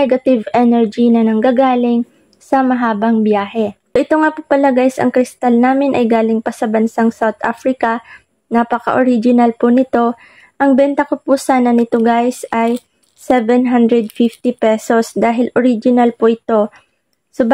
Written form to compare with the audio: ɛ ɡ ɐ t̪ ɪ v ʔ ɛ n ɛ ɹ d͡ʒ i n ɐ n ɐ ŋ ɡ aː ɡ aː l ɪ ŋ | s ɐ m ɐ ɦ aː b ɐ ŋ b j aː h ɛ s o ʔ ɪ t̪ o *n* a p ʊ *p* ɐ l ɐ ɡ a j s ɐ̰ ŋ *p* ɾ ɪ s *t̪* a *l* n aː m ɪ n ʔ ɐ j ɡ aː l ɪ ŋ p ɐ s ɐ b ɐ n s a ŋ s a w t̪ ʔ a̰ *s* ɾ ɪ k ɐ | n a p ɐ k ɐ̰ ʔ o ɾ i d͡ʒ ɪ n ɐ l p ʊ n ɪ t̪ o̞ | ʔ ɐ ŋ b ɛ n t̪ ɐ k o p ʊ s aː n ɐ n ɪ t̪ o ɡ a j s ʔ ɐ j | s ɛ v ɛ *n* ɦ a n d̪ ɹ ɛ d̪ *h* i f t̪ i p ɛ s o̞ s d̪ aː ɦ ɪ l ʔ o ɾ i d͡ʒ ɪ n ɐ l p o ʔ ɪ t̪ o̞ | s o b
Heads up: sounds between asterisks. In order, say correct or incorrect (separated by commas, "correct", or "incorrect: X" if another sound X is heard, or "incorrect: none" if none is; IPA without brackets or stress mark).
incorrect: ŋ, correct, incorrect: k, correct, correct, incorrect: f, correct, incorrect: f